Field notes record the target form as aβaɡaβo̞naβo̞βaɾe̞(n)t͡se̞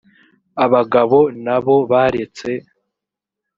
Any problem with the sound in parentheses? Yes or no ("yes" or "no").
yes